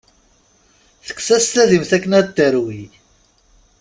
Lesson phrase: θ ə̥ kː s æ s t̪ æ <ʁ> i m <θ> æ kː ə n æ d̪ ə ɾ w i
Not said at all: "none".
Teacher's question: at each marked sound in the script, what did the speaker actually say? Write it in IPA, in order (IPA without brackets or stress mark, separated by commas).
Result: ð, θ